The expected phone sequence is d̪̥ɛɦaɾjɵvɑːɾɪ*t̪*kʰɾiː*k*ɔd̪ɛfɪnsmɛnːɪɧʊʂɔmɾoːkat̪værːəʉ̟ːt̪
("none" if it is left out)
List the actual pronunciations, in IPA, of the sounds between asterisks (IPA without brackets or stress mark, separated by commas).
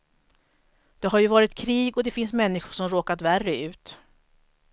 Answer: t̪, ɡ